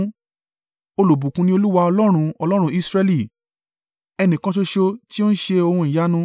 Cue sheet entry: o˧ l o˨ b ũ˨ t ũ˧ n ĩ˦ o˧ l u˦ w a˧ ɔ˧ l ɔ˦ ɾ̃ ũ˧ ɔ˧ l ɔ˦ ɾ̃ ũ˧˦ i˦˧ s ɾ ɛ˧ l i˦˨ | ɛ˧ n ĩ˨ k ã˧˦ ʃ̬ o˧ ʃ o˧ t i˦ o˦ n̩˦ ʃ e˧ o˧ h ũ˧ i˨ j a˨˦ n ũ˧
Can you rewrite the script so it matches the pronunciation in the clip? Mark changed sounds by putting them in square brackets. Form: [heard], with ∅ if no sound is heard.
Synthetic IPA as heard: o˧ l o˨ b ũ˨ [k] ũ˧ n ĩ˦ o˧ l u˦ w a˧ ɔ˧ l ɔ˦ ɾ̃ ũ˧ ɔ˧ l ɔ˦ ɾ̃ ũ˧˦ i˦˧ s ɾ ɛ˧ l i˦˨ | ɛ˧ n ĩ˨ k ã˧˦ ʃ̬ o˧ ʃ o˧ t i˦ o˦ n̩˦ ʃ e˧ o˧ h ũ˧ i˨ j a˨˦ n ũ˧